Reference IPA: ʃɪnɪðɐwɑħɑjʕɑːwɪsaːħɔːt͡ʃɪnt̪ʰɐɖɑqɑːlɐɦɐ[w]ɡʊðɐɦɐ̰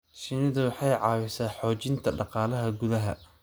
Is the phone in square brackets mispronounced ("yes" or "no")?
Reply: yes